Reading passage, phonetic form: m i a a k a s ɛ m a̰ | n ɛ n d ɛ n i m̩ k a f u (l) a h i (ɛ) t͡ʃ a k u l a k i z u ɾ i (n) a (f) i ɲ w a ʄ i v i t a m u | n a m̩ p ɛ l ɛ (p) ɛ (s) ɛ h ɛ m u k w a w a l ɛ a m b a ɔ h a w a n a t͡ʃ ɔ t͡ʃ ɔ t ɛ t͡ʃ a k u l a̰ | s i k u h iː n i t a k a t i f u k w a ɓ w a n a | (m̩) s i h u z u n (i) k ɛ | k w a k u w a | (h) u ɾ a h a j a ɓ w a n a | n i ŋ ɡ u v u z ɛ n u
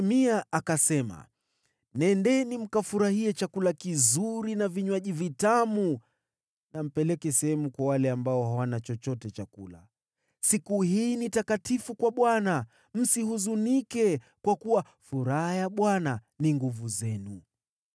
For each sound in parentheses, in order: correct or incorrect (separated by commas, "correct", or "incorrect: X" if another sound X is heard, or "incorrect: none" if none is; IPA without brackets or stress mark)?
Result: incorrect: ɾ, correct, correct, incorrect: v, incorrect: k, correct, correct, correct, incorrect: f